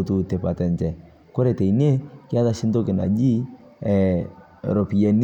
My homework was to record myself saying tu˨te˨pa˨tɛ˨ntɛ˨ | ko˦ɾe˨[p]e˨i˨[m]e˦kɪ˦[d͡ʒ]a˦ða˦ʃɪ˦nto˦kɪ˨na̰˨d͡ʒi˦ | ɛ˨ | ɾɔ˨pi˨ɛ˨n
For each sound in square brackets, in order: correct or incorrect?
incorrect: t, incorrect: n, incorrect: none

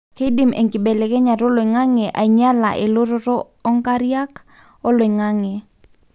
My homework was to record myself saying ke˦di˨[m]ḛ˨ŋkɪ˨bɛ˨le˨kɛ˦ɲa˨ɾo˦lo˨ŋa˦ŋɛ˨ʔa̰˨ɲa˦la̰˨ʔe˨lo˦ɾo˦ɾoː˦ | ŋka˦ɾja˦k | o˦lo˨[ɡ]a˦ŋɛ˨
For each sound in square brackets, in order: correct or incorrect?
correct, incorrect: ŋ

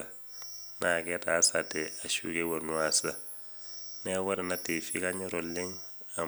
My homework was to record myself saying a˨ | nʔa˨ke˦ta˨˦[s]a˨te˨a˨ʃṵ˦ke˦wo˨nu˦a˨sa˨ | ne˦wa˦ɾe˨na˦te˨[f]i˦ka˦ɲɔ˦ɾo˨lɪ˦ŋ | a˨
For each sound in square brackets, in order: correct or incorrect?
correct, correct

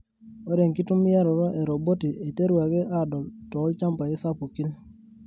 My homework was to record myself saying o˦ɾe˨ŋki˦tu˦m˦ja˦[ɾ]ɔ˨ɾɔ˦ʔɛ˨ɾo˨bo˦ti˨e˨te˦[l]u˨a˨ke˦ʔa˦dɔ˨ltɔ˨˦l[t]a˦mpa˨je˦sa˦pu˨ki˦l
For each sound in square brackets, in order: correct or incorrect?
correct, incorrect: ɾ, incorrect: t͡ʃ

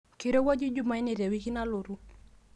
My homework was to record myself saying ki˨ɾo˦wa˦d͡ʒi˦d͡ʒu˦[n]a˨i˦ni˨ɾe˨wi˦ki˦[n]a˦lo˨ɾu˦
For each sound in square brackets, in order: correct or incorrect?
incorrect: m, correct

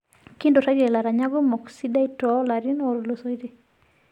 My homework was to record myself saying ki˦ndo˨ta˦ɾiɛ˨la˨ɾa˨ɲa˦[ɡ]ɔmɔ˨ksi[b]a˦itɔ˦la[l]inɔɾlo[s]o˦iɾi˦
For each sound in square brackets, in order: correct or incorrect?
correct, incorrect: d, incorrect: ɾ, correct

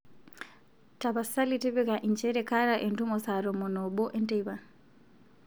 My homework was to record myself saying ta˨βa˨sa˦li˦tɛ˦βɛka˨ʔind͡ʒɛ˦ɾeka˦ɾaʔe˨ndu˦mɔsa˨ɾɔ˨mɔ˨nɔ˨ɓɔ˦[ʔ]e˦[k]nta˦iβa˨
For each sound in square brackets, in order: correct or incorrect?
correct, incorrect: none

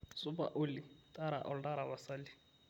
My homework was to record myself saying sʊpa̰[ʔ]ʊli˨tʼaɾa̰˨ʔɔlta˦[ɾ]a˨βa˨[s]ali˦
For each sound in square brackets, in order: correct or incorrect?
correct, correct, correct

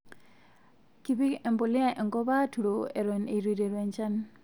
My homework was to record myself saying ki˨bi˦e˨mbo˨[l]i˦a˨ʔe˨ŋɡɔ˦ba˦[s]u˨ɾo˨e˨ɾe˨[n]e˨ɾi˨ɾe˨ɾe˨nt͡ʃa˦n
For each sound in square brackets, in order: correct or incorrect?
correct, incorrect: t, correct

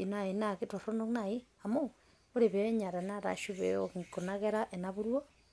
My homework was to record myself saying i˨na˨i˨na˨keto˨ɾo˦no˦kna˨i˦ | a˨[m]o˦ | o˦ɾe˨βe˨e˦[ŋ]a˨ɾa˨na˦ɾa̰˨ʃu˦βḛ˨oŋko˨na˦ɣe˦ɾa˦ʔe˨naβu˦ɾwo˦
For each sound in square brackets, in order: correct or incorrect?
correct, incorrect: ɲ

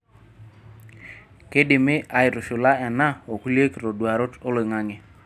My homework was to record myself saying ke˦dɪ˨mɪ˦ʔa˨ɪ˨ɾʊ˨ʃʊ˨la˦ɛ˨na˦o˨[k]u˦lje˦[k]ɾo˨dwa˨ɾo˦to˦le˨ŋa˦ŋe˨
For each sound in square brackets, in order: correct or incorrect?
correct, correct

